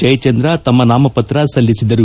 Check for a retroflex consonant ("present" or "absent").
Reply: absent